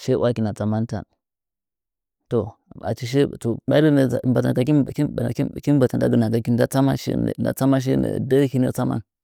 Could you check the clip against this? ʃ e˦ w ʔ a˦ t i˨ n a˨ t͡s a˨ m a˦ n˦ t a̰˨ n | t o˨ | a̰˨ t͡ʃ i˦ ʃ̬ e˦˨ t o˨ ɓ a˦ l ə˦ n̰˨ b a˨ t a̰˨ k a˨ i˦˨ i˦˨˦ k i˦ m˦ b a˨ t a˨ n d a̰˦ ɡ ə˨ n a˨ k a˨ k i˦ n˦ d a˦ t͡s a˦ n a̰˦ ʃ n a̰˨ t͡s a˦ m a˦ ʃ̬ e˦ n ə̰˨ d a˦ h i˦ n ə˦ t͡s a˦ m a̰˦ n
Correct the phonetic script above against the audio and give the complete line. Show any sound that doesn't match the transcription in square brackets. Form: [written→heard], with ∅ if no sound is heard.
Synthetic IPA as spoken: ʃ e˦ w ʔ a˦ [t→k] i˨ n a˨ t͡s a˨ m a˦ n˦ t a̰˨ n | t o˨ | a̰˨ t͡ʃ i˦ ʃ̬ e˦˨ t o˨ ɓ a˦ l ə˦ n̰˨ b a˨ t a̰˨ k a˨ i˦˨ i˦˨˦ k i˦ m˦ b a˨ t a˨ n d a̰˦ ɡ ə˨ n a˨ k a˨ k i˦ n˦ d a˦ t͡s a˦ [n→m] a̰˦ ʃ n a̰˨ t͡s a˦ m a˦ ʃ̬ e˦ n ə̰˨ d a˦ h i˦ n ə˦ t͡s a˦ m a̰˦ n